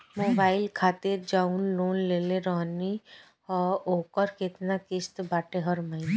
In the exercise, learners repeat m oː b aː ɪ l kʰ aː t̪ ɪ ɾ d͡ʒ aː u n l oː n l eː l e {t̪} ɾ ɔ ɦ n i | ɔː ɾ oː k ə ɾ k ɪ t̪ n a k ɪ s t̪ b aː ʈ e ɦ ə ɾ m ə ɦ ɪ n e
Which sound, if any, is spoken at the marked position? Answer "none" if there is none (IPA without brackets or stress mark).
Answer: none